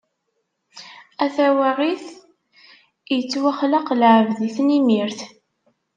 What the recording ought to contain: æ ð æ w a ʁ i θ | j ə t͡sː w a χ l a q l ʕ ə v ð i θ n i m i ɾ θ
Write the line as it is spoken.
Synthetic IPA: æ θ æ w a ʁ i θ | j ə t͡sː w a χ l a q l ʕ ə v ð i θ n i m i ɾ θ